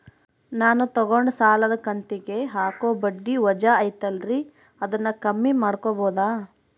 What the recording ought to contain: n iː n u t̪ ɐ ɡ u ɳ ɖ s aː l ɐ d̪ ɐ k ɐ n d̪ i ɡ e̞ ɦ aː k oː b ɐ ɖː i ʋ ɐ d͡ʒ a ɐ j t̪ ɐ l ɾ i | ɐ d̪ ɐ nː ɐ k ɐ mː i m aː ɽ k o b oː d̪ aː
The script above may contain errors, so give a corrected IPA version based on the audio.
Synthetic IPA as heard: n aː n u t̪ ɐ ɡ o ɳ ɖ s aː l ɐ d̪ ɐ k ɐ n t̪ i ɡ e̞ ɦ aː k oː b ɐ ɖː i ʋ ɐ d͡ʒ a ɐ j t̪ ɐ l ɾ i | ɐ d̪ ɐ nː ɐ k ɐ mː i m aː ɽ k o b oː d̪ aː